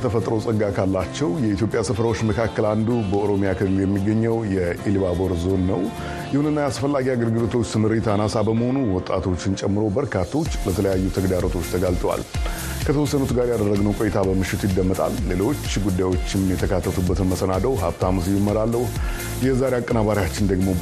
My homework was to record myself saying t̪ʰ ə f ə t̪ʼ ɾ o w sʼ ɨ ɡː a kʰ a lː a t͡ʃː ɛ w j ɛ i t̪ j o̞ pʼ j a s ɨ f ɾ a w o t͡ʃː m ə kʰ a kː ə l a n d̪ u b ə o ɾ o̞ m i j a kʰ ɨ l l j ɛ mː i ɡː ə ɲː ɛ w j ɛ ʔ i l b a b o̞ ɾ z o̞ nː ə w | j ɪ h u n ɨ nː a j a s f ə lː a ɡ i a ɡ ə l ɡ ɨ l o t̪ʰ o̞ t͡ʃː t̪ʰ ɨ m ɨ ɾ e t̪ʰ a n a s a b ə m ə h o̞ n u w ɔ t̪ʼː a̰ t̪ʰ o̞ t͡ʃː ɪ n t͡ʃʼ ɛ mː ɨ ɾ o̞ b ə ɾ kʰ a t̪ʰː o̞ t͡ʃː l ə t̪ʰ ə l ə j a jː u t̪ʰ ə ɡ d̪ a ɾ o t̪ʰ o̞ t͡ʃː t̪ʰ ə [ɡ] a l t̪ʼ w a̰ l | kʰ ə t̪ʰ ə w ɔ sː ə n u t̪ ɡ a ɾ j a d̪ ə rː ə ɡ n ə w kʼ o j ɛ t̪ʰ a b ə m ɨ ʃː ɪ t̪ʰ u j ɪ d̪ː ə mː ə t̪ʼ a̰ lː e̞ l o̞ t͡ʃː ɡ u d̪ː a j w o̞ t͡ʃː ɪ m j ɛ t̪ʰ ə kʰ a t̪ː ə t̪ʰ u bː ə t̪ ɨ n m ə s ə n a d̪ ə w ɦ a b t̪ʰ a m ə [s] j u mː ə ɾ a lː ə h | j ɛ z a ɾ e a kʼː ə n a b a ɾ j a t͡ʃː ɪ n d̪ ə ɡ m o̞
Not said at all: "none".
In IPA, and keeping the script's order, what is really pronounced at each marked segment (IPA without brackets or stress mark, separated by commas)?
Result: ɡ, s